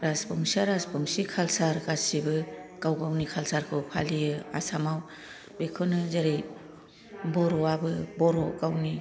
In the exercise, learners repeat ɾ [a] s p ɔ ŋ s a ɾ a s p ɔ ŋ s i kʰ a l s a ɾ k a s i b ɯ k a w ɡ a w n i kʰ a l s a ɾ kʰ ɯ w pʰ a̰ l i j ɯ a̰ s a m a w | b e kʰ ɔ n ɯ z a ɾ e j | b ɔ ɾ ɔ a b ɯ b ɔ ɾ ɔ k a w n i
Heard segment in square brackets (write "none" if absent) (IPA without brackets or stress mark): a